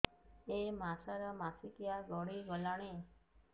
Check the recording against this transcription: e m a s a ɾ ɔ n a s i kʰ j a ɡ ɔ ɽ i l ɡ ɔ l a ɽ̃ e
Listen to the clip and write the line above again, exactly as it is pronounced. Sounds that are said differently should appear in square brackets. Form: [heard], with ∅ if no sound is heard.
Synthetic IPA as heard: e m a s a ɾ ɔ [m] a s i [k] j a ɡ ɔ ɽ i [∅] ɡ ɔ l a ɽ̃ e